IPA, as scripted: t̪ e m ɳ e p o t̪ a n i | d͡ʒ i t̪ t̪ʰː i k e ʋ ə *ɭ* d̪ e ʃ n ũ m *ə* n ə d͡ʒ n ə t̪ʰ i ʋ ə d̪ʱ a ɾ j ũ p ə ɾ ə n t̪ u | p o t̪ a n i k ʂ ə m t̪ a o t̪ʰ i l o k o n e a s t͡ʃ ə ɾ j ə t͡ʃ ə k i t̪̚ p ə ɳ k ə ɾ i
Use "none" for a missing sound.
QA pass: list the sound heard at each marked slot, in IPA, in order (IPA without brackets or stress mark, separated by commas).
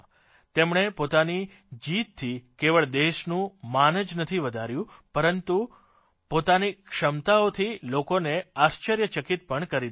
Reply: ɭ, a